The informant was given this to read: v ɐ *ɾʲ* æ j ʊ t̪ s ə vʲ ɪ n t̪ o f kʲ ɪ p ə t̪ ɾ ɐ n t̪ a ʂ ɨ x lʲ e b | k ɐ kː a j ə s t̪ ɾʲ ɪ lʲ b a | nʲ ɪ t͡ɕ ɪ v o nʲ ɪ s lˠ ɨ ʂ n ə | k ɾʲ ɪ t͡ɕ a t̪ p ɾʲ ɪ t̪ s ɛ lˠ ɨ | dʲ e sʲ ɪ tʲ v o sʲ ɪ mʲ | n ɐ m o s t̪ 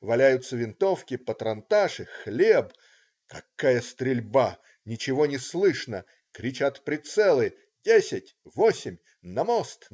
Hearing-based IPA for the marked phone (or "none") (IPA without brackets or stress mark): lʲ